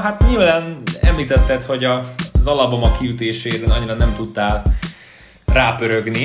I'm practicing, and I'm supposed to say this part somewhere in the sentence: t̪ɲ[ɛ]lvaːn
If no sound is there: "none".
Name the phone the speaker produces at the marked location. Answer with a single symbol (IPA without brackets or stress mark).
i